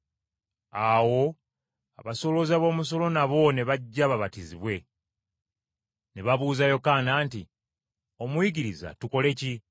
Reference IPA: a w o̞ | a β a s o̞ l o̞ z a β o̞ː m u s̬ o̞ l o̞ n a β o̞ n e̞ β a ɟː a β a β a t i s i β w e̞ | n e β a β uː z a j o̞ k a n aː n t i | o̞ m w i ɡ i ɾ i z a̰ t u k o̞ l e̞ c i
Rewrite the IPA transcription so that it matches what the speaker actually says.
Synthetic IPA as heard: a w o̞ | a β a s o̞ l o̞ z a β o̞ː m u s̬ o̞ l o̞ n a β o̞ n e̞ β a ɟː a β a β a t i z i β w e̞ | n e β a β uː z a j o̞ k a n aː n t i | o̞ m w i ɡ i ɾ i z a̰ t u k o̞ l e̞ c i